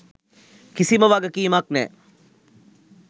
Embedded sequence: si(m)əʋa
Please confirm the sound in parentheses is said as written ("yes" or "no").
yes